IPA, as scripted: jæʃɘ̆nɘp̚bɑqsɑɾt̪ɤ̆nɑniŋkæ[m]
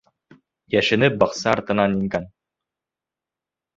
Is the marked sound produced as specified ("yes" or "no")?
no